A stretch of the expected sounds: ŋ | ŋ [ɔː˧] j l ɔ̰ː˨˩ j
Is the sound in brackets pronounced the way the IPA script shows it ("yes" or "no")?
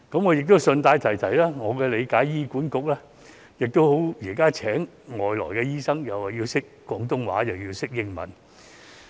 no